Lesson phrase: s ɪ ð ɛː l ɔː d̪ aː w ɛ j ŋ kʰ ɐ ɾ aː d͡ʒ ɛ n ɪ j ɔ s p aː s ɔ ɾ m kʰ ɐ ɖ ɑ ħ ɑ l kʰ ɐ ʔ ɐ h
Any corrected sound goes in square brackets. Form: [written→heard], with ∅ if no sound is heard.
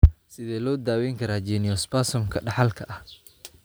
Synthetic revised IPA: s ɪ ð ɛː l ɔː d̪ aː w ɛ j ŋ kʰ ɐ ɾ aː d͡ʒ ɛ n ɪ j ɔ s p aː s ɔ [ɾ→∅] m kʰ ɐ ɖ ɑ ħ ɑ l kʰ ɐ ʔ ɐ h